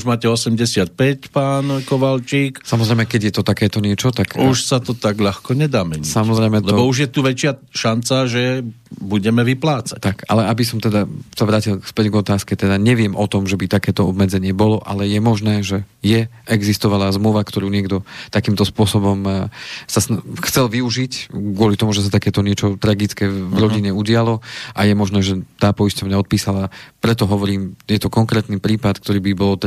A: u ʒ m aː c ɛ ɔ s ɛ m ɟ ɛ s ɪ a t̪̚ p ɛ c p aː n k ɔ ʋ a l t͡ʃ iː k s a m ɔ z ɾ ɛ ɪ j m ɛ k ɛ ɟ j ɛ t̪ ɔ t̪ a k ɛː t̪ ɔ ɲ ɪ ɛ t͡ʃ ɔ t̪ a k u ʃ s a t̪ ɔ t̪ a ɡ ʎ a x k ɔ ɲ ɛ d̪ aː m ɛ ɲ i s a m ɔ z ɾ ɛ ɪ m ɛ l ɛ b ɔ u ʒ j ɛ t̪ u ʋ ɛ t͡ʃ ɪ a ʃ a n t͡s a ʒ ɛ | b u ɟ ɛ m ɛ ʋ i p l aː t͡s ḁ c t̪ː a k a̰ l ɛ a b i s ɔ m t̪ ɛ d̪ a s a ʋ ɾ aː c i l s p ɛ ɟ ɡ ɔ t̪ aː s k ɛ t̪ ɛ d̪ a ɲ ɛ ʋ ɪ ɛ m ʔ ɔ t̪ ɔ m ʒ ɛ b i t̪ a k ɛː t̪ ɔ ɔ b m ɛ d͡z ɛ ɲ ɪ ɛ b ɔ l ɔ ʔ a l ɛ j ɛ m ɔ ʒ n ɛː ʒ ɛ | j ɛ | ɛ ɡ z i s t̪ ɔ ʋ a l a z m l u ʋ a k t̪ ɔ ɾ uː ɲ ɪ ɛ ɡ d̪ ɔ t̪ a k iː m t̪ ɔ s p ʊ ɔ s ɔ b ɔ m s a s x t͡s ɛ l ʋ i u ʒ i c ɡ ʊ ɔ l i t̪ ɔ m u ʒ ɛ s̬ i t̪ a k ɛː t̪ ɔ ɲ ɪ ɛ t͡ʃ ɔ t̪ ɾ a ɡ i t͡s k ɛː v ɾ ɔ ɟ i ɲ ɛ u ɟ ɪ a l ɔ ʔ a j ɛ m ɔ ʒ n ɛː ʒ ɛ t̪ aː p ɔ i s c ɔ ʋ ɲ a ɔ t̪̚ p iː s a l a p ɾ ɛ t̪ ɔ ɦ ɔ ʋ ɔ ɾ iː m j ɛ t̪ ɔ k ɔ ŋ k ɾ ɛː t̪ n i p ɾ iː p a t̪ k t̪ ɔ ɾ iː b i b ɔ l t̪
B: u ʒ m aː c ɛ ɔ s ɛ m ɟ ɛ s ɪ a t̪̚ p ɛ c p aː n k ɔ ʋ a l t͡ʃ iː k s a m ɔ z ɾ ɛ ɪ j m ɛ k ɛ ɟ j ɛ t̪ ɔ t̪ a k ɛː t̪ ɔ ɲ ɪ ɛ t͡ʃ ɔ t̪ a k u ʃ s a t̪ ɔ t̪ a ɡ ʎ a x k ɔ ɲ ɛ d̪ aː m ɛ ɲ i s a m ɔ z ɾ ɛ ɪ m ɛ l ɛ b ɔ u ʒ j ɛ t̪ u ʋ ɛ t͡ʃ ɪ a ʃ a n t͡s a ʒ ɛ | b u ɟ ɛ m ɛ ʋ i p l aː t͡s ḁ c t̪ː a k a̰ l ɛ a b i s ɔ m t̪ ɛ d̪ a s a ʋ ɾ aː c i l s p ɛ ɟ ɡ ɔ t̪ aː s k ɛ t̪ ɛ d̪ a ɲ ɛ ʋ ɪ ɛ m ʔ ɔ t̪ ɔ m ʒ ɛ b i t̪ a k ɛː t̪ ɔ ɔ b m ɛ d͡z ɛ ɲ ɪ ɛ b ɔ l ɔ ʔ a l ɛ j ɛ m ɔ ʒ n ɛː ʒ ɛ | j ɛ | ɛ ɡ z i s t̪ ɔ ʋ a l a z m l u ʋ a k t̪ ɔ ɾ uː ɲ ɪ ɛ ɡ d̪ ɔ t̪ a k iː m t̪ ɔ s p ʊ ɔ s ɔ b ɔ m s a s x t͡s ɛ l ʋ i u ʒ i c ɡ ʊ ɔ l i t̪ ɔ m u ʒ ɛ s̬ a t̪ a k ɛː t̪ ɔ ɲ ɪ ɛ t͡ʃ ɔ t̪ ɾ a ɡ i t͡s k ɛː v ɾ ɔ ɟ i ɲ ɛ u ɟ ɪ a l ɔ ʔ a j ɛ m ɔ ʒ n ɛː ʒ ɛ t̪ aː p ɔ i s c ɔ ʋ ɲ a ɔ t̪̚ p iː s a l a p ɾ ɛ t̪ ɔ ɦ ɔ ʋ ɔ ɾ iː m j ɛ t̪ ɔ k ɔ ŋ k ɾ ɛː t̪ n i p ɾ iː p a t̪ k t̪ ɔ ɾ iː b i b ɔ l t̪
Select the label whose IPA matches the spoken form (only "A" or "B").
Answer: B